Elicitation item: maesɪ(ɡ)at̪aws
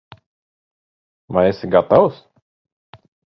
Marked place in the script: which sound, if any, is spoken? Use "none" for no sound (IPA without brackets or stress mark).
ɡ